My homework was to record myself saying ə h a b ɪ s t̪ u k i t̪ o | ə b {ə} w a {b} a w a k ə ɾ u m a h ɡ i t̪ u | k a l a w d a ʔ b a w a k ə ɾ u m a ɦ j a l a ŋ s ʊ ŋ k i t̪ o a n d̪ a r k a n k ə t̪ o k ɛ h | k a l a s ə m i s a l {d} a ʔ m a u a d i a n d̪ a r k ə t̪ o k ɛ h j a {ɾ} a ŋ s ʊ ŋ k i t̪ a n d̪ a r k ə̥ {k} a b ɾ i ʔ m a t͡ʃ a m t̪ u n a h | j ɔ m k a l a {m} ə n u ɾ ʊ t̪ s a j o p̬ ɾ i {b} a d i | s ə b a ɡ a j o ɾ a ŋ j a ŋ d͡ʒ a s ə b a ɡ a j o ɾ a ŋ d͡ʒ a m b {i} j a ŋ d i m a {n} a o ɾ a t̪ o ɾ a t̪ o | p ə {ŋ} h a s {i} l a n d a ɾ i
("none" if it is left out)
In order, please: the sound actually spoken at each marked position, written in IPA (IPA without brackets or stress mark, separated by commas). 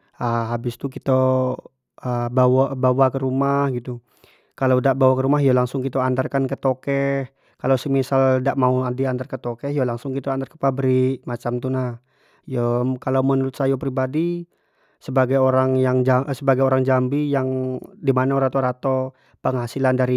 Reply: a, b, d, l, p, m, b, i, n, ŋ, i